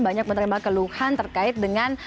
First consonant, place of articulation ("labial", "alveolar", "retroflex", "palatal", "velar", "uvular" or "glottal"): labial